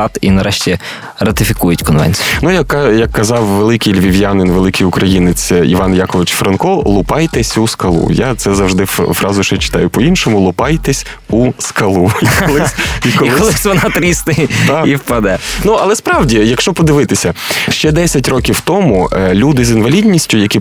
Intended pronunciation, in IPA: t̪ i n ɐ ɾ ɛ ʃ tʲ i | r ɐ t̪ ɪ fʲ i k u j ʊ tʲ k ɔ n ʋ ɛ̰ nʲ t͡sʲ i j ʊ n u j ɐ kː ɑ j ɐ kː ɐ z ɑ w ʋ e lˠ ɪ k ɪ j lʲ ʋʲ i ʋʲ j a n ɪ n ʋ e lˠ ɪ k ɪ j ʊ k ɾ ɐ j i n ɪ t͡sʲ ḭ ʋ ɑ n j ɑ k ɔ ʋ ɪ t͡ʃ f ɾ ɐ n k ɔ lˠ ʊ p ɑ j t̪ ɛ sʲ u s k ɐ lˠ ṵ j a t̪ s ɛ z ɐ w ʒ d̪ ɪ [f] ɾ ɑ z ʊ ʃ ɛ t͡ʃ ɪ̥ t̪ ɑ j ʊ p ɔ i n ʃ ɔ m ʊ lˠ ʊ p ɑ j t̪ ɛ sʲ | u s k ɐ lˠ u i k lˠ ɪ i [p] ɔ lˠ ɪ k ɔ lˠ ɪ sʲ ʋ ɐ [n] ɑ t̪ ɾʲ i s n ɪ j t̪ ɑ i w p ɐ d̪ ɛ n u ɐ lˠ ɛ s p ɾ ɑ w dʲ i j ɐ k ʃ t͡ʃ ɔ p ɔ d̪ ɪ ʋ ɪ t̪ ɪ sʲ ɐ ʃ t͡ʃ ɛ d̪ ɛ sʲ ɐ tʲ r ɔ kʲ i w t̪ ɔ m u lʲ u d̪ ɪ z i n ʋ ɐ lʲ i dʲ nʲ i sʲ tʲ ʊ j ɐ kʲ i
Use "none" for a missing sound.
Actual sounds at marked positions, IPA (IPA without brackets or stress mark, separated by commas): f, k, n